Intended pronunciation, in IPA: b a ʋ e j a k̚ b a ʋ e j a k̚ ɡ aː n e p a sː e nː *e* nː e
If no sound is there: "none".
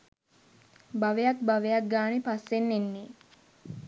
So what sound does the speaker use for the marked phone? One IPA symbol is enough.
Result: e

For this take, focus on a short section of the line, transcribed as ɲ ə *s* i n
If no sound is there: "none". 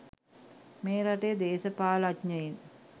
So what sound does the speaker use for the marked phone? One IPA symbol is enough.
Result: none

